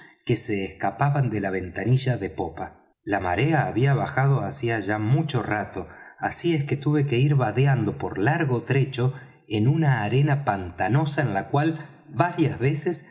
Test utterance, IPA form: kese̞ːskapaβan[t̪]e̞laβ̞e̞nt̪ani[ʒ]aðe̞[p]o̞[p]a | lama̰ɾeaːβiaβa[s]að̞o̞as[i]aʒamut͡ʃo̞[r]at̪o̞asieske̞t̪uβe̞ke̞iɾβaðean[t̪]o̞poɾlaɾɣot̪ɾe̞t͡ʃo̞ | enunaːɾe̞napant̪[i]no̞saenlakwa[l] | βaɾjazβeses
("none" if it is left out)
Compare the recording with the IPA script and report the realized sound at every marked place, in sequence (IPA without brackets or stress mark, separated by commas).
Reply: d̪, ʒ, p, p, x, i, r, d̪, a, l